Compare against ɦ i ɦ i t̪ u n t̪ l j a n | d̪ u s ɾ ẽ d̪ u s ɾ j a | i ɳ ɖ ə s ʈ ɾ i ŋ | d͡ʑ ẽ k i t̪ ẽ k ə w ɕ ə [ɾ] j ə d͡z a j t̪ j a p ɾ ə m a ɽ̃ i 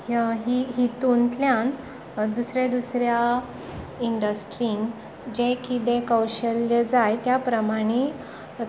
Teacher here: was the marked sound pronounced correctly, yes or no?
no